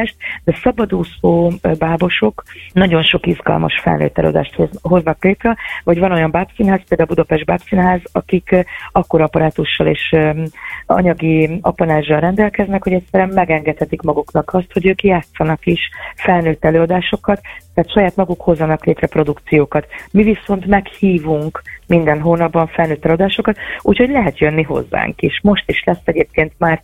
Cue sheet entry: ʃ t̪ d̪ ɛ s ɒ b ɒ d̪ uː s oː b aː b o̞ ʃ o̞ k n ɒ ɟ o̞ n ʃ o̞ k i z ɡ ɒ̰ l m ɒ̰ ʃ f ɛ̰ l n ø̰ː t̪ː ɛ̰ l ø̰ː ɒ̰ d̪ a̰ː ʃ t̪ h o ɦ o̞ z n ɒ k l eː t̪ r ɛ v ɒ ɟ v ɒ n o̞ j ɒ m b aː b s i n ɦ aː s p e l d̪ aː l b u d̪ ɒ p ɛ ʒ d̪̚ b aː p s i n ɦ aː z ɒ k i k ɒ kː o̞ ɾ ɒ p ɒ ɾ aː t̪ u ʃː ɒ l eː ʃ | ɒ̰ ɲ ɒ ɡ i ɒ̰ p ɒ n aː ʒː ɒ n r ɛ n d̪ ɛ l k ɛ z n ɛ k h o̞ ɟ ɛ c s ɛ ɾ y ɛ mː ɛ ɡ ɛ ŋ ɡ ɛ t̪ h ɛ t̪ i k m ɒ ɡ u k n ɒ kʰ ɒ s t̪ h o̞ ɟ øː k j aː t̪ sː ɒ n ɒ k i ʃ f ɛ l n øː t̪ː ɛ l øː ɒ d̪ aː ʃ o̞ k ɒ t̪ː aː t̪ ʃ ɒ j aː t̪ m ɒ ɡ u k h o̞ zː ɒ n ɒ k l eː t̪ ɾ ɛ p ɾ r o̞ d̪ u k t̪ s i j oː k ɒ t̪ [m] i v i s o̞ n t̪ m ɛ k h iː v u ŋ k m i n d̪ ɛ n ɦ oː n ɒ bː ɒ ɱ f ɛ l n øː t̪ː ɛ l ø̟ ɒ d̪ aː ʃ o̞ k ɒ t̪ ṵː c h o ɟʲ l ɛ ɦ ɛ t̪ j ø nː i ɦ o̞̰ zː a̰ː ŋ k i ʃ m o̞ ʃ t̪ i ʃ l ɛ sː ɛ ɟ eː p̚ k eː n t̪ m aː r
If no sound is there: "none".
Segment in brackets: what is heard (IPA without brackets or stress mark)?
m